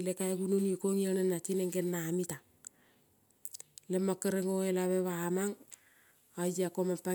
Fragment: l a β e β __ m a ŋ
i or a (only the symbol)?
a